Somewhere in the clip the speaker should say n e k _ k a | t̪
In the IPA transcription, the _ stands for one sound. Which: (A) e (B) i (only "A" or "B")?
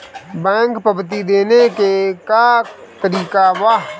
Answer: A